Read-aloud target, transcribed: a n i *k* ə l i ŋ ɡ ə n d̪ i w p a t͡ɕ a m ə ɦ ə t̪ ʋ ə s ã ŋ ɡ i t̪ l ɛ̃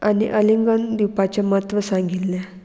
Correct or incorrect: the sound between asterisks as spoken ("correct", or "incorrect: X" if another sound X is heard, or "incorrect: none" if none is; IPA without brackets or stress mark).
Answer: incorrect: ʔ